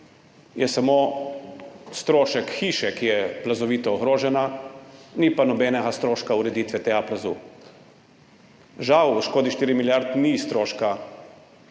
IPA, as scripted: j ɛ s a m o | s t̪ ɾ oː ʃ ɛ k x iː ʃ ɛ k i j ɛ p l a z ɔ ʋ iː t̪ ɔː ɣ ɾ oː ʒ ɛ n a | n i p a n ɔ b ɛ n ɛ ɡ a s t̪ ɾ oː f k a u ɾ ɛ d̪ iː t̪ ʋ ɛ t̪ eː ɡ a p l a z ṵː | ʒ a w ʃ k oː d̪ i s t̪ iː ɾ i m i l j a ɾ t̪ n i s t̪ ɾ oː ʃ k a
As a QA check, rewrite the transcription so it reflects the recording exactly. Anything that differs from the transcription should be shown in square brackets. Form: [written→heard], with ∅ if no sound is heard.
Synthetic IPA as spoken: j ɛ s a m o | s t̪ ɾ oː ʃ ɛ k x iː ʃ ɛ k i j ɛ p l a z ɔ ʋ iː t̪ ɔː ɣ ɾ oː ʒ ɛ n a | n i p a n ɔ b ɛ n ɛ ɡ a s t̪ ɾ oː [f→ʃ] k a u ɾ ɛ d̪ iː t̪ ʋ ɛ t̪ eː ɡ a p l a z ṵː | ʒ a w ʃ k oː d̪ i [s→ʃ] t̪ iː ɾ i m i l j a ɾ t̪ n i s t̪ ɾ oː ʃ k a